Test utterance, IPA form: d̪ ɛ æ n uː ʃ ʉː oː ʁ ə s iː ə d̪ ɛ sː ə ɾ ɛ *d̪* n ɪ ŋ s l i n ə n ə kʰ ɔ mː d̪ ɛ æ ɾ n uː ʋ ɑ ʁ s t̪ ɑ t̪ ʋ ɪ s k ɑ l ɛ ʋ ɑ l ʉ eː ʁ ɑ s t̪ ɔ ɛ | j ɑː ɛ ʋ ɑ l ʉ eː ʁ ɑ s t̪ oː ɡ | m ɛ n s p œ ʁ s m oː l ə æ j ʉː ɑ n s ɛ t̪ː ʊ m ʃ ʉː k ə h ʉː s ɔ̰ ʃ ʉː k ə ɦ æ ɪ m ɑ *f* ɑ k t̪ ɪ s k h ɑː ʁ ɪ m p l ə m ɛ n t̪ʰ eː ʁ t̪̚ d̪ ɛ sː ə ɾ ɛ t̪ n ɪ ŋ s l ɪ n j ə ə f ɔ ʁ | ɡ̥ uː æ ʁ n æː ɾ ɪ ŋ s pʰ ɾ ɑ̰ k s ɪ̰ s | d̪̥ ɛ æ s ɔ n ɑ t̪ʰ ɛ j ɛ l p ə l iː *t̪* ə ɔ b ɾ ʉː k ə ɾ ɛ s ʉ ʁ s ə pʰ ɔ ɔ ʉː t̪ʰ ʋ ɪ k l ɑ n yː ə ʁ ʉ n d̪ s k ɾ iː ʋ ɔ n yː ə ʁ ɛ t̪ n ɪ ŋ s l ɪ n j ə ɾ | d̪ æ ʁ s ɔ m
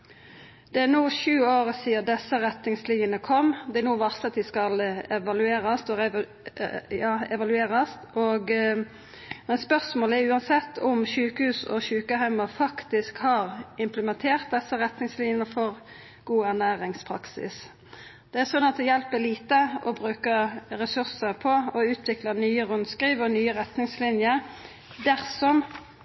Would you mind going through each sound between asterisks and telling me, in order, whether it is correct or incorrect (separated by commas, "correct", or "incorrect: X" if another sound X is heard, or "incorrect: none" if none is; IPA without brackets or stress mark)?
incorrect: t̪, correct, correct